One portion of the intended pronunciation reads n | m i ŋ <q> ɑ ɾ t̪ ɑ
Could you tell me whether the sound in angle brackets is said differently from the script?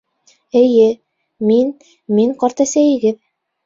no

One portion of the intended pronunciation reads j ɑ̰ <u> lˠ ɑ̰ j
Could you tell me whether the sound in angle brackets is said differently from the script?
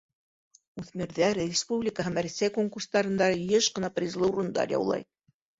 yes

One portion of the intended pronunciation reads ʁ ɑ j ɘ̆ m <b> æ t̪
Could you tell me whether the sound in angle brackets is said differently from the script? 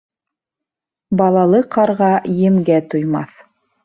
yes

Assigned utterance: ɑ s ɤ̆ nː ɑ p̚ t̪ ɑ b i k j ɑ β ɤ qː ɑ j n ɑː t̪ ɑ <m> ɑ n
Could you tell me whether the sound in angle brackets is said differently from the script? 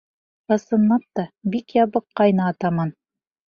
no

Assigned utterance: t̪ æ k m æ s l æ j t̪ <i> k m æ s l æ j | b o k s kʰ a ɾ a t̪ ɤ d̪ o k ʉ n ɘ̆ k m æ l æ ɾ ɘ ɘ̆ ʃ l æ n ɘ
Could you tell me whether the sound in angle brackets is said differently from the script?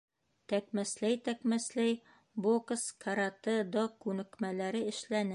yes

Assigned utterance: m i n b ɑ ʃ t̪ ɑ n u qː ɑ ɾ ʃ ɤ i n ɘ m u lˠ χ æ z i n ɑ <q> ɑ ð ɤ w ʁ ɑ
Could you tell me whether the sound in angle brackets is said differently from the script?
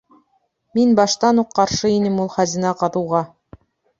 no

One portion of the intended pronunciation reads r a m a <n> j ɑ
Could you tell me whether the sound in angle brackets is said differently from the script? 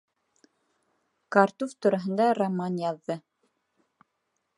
no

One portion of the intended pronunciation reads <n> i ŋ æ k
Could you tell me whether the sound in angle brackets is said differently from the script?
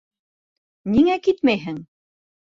no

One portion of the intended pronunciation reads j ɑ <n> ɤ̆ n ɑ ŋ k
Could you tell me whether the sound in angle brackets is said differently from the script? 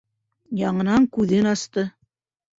yes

